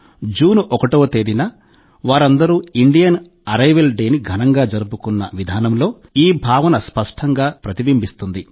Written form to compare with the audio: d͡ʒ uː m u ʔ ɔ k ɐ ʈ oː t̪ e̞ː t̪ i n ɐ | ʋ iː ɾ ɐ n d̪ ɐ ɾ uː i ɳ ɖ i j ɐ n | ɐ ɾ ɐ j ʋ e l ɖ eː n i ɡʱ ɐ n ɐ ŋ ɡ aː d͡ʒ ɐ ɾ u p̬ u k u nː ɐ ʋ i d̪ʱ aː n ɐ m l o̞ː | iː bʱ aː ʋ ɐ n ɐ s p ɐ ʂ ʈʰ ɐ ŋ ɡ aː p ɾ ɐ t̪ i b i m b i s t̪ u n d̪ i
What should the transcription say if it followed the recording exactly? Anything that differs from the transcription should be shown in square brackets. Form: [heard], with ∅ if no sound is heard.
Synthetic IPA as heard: d͡ʒ uː [n] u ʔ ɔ k ɐ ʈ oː t̪ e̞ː [d̪] i n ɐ | ʋ [aː] ɾ ɐ n d̪ ɐ ɾ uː i ɳ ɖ i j ɐ n | ɐ ɾ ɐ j ʋ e l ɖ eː n i ɡʱ ɐ n ɐ ŋ ɡ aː d͡ʒ ɐ ɾ u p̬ u k u nː ɐ ʋ i d̪ʱ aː n ɐ m l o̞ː | iː bʱ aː ʋ ɐ n ɐ s p ɐ ʂ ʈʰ ɐ ŋ ɡ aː p ɾ ɐ t̪ i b i m b i s t̪ u n d̪ i

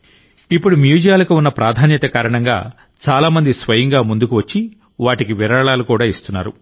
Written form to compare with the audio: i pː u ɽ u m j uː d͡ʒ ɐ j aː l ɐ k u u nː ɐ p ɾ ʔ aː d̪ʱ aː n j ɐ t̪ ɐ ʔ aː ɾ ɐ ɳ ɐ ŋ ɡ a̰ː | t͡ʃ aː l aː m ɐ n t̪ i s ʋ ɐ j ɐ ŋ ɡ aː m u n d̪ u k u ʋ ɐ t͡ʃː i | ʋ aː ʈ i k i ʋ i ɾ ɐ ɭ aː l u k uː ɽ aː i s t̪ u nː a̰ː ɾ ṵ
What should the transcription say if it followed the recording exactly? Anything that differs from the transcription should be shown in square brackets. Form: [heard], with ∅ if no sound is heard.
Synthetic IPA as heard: i pː u ɽ u m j uː d͡ʒ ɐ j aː l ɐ k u u nː ɐ p ɾ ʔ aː d̪ʱ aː n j ɐ t̪ ɐ [k] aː ɾ ɐ ɳ ɐ ŋ ɡ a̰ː | t͡ʃ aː l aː m ɐ n [d̪] i s ʋ ɐ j ɐ ŋ ɡ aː m u n d̪ u k u ʋ ɐ t͡ʃː i | ʋ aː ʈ i k i ʋ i ɾ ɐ ɭ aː l u k uː ɽ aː i s t̪ u nː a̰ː ɾ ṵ

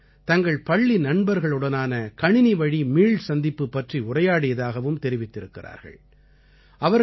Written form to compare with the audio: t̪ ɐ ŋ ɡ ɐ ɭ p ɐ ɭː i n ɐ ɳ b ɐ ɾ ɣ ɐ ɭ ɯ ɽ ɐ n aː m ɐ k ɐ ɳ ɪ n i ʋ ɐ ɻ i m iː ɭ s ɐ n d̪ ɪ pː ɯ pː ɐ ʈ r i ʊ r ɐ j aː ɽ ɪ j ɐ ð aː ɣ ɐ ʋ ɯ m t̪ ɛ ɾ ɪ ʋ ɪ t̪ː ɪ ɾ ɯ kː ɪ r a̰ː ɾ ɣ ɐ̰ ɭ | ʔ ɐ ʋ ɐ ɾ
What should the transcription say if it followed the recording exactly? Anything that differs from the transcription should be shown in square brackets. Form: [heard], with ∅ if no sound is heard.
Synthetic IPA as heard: t̪ ɐ ŋ ɡ ɐ ɭ p ɐ ɭː i n ɐ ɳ b ɐ ɾ ɣ ɐ ɭ ɯ ɽ ɐ n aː [n] ɐ k ɐ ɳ ɪ n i ʋ ɐ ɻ i m iː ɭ s ɐ n d̪ ɪ pː ɯ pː ɐ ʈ r i ʊ r ɐ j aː ɽ ɪ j ɐ ð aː ɣ ɐ ʋ ɯ m t̪ ɛ ɾ ɪ ʋ ɪ t̪ː ɪ ɾ ɯ kː ɪ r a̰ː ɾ ɣ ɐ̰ ɭ | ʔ ɐ ʋ ɐ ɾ

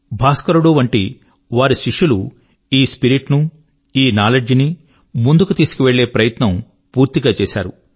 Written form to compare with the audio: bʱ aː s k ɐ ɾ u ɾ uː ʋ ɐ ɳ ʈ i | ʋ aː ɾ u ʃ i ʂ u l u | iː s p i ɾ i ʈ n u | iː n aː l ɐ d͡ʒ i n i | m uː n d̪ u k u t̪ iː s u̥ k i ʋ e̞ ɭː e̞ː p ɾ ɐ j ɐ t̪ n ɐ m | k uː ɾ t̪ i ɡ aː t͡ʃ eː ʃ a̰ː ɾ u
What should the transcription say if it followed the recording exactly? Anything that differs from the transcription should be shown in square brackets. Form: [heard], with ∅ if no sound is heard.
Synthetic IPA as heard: bʱ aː s k ɐ ɾ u [ɽ] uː ʋ ɐ ɳ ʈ i | ʋ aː ɾ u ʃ i ʂ u l u | iː s p i ɾ i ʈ n u | iː n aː l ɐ d͡ʒ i n i | m [u] n d̪ u k u t̪ iː s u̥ k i ʋ e̞ ɭː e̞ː p ɾ ɐ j ɐ t̪ n ɐ m | [p] uː ɾ t̪ i ɡ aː t͡ʃ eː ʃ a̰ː ɾ u

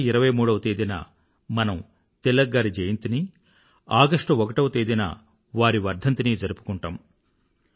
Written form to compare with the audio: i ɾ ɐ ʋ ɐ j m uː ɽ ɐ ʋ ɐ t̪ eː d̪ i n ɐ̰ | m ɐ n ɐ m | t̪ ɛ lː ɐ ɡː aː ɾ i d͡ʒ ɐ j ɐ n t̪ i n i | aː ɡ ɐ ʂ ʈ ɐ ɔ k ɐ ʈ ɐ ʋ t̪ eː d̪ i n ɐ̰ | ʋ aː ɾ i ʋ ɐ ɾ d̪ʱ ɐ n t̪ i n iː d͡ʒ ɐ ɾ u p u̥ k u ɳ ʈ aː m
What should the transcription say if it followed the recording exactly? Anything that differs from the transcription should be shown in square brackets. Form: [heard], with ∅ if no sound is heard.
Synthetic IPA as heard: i ɾ ɐ ʋ ɐ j m uː ɽ ɐ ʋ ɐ t̪ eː d̪ i n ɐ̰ | m ɐ n ɐ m | t̪ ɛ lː ɐ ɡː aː ɾ i d͡ʒ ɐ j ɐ n t̪ i n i | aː ɡ ɐ ʂ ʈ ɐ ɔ k ɐ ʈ ɐ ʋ t̪ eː d̪ i n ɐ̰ | ʋ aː ɾ i ʋ ɐ ɾ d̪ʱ ɐ n t̪ i n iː d͡ʒ ɐ ɾ u p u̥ k u ɳ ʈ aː m

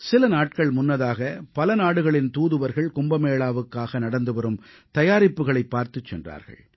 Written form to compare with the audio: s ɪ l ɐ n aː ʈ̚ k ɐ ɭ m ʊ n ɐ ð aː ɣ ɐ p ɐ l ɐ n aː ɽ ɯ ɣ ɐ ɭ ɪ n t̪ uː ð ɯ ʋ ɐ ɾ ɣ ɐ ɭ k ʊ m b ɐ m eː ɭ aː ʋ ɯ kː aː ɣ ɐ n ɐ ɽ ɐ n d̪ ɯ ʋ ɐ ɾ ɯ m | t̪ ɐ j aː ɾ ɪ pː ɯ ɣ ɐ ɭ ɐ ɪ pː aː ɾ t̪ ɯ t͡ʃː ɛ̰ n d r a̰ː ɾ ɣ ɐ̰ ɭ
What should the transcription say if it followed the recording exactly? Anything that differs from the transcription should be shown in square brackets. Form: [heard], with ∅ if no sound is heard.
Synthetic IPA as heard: s ɪ l ɐ n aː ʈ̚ k ɐ ɭ m ʊ [nː] ɐ ð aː ɣ ɐ p ɐ l ɐ n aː ɽ ɯ ɣ ɐ ɭ ɪ n t̪ uː ð ɯ ʋ ɐ ɾ ɣ ɐ ɭ k ʊ m b ɐ m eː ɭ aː ʋ ɯ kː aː ɣ ɐ n ɐ ɽ ɐ n d̪ ɯ ʋ ɐ ɾ ɯ m | t̪ ɐ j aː ɾ ɪ pː ɯ ɣ ɐ ɭ ɐ ɪ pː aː ɾ t̪ ɯ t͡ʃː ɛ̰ n d r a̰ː ɾ ɣ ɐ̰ ɭ

